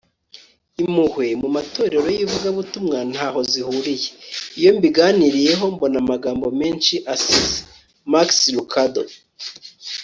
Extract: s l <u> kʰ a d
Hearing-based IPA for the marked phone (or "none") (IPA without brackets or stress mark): u